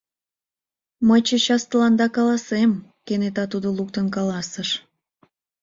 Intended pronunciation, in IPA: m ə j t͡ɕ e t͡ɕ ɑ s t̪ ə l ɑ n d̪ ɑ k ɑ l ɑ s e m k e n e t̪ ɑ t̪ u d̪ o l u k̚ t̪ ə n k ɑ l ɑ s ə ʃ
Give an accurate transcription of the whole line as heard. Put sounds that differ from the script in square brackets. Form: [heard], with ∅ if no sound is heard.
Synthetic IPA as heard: m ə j t͡ɕ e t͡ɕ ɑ s t̪ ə l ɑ n d̪ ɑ k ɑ l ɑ s e m k e n e t̪ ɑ t̪ u d̪ o l u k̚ t̪ ə n k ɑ l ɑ s ə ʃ